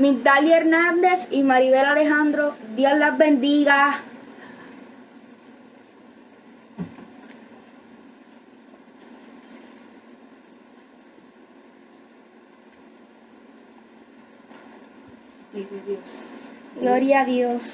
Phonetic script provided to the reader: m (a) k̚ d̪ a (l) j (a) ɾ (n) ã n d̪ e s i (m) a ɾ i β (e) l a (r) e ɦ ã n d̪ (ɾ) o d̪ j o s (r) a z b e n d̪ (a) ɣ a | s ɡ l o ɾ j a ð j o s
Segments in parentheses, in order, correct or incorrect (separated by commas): incorrect, correct, incorrect, correct, correct, correct, incorrect, correct, incorrect, incorrect